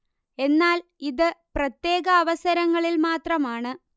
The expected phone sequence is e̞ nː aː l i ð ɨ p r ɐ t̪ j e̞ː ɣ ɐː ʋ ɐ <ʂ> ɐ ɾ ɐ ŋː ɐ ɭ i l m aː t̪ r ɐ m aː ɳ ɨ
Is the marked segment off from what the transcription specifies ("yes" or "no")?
yes